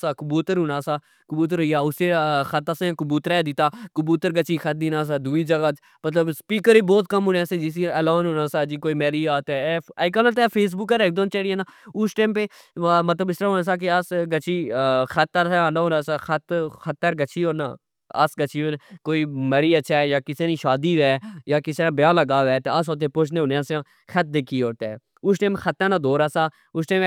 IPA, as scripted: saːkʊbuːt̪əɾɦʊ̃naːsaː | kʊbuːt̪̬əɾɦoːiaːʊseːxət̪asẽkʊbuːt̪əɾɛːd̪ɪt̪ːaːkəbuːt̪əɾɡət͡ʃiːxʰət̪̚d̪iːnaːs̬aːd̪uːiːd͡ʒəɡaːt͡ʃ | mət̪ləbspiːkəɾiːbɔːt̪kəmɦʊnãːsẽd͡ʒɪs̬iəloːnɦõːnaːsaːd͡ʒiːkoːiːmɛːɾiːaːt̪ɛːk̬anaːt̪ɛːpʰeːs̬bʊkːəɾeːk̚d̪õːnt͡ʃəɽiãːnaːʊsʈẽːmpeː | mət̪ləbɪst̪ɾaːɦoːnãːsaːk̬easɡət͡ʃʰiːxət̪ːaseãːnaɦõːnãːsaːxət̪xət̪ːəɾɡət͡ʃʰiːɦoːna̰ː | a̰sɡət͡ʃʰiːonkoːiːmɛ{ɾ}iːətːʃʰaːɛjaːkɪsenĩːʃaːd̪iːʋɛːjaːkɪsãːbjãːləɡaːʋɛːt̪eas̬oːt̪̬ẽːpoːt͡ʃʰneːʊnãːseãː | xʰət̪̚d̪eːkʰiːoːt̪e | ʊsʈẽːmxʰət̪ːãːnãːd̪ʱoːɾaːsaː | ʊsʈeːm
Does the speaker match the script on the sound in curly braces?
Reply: yes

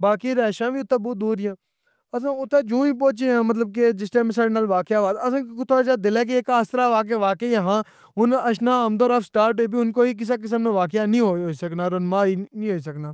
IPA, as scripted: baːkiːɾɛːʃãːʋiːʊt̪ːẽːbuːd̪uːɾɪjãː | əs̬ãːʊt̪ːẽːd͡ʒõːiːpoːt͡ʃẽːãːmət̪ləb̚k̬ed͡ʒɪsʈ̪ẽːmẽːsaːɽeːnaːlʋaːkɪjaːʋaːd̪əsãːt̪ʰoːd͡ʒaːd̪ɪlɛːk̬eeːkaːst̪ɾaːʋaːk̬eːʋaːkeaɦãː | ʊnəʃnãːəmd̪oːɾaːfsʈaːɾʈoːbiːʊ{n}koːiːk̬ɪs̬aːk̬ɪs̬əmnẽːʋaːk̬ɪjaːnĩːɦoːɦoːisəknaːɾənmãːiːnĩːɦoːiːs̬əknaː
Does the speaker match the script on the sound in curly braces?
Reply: yes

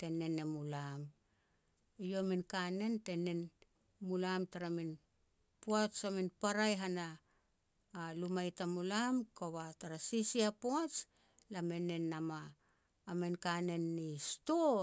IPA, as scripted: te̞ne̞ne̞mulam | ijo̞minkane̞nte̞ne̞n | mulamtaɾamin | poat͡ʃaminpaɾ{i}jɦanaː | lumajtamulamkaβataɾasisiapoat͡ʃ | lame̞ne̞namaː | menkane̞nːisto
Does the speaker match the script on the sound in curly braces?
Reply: no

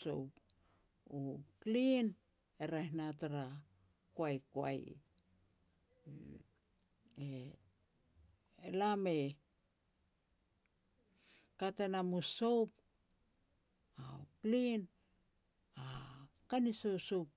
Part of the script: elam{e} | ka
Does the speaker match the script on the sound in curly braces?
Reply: yes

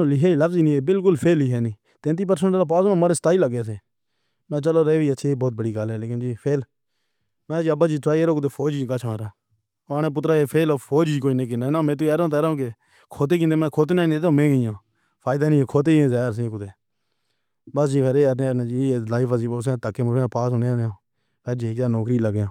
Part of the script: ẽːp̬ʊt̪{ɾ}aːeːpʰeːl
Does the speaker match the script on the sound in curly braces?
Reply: yes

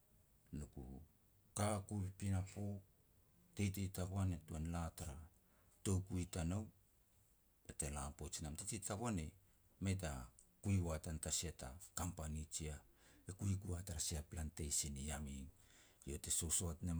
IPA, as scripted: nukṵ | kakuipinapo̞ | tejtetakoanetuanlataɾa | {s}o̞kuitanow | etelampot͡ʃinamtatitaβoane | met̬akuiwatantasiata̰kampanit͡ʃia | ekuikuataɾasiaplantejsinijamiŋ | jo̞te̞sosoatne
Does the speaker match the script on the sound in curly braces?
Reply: no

